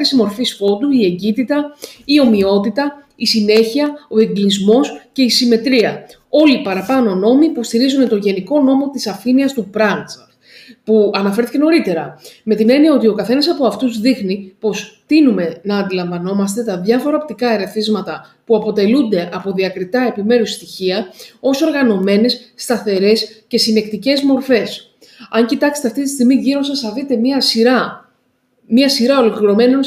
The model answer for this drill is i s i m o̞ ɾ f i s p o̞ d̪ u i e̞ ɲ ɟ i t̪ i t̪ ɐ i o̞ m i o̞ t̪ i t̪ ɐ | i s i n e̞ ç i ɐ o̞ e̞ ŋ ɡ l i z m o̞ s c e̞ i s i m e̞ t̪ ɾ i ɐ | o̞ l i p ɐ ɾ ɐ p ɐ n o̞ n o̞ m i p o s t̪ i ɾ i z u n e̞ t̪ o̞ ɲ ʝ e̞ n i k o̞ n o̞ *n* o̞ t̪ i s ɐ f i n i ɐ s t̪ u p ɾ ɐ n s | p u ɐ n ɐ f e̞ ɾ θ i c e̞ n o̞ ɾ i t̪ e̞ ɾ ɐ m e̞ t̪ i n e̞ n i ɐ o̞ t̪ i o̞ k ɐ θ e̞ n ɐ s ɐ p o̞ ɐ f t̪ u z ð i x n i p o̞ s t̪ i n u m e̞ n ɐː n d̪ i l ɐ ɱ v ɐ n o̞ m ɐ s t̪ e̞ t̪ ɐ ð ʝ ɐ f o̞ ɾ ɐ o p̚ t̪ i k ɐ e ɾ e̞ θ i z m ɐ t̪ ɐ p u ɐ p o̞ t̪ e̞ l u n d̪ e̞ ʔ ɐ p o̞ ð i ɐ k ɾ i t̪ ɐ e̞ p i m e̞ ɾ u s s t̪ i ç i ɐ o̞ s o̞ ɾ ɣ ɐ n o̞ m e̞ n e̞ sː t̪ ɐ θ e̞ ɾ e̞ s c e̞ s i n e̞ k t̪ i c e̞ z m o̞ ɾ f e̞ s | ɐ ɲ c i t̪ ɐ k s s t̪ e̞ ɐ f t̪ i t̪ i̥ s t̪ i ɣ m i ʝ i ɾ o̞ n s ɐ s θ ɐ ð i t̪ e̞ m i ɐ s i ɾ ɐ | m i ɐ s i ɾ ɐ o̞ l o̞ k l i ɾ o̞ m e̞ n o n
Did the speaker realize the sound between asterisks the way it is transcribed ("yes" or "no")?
no